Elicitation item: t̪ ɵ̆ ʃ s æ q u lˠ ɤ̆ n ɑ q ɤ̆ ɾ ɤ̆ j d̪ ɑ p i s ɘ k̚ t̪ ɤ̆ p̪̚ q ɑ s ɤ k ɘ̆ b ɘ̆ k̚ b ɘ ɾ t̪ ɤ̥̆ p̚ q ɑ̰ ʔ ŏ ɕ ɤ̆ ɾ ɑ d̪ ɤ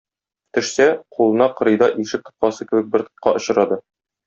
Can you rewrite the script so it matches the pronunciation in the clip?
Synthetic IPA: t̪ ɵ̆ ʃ s æ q u lˠ ɤ̆ n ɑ q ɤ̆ ɾ ɤ̆ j d̪ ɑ ʔ i ʃ ɘ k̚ t̪ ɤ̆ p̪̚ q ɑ s ɤ k ɘ̆ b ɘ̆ k̚ b ɘ ɾ t̪ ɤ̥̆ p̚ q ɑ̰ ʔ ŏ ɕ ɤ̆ ɾ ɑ d̪ ɤ

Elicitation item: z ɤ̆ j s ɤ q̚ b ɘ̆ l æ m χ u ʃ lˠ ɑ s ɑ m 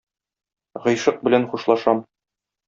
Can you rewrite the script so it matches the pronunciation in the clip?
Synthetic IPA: ʁ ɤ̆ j ʃ ɤ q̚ b ɘ̆ l æ n χ u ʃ lˠ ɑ ʃ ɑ m

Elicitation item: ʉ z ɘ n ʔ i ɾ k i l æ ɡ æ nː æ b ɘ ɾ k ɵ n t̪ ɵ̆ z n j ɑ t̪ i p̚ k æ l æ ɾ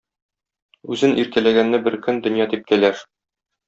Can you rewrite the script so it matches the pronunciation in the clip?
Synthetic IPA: ʉ z ɘ n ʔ i ɾ k æ l æ ɡ æ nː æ b ɘ ɾ k ɵ n d̪ ɵ̆ n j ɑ t̪ i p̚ k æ l æ ɾ

